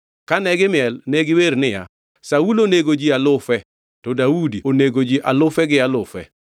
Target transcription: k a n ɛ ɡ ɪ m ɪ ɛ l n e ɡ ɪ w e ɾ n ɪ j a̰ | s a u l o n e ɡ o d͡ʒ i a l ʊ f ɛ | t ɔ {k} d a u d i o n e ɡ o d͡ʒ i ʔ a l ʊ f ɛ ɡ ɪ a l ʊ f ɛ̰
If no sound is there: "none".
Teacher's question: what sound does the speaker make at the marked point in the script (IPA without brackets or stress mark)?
none